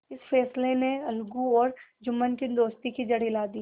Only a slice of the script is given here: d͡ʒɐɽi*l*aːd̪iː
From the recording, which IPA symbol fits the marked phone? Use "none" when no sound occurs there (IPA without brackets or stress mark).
l